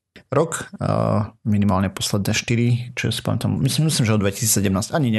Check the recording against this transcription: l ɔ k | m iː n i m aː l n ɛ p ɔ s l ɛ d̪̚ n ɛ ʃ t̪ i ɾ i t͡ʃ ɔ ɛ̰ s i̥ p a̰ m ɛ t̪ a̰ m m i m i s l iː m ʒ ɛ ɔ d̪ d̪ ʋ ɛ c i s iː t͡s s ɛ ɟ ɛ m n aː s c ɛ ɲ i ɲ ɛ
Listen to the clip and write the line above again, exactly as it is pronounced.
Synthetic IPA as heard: ɾ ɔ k | m i n i m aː l ɲ ɛ p ɔ s l ɛ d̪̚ n ɛ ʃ t̪ i ɾ i t͡ʃ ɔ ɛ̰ s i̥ p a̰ m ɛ t̪ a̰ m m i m i s l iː m ʒ ɛ ɔ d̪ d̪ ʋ ɛ c i s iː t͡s s ɛ ɟ ɛ m n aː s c a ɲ i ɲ ɛ